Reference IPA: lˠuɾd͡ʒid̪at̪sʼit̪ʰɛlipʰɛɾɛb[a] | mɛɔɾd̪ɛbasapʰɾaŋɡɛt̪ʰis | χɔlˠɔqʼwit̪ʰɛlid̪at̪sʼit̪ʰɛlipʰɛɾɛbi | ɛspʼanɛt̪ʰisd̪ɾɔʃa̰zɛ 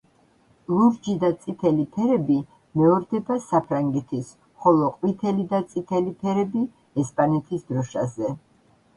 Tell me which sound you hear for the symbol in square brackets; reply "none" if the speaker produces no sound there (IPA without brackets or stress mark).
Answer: i